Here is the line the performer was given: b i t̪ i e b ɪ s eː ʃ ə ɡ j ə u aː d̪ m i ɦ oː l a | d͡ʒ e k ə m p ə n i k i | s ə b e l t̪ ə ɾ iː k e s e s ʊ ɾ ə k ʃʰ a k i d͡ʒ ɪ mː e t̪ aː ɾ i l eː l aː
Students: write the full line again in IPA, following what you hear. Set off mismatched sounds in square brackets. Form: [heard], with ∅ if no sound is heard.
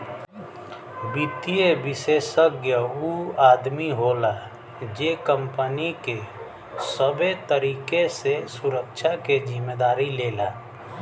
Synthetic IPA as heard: b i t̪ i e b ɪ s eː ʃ ə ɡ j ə u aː d̪ m i ɦ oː l a | d͡ʒ e k ə m p ə n i k [e] | s ə b e [∅] t̪ ə ɾ iː k e s e s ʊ ɾ ə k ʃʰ a k [e] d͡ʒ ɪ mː e [d̪] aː ɾ i l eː l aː